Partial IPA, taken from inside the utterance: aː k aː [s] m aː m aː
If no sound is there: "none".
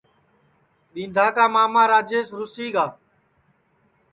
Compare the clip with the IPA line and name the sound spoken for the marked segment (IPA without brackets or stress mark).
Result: none